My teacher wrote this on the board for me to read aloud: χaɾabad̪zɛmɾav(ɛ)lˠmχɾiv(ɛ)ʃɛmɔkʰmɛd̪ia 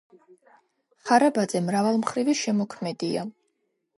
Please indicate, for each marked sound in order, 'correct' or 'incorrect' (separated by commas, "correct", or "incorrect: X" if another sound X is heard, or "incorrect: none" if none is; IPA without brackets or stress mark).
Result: incorrect: a, incorrect: i